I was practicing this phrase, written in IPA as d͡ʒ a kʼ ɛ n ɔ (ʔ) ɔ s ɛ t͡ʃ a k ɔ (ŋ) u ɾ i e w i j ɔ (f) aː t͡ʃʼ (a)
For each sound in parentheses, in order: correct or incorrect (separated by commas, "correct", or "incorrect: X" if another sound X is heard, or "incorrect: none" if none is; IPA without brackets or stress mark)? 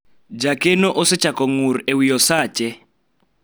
correct, correct, incorrect: s, incorrect: ɛ